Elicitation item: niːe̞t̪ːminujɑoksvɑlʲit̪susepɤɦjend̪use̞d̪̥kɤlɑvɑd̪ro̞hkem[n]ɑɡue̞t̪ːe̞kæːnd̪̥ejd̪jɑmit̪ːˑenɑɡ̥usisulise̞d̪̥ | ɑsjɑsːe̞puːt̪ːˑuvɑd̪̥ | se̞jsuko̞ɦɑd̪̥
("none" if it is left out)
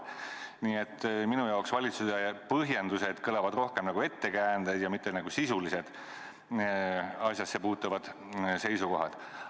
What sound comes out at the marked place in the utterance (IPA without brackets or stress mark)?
n